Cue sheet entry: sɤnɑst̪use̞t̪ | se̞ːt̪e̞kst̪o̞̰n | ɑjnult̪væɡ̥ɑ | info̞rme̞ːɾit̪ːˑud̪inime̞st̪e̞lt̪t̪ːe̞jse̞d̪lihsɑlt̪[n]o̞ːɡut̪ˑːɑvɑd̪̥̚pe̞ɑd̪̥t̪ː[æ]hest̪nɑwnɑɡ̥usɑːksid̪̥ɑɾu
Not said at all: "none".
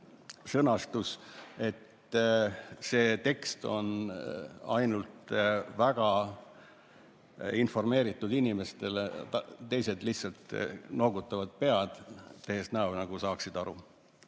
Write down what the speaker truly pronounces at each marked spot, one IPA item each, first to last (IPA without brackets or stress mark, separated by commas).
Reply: n, e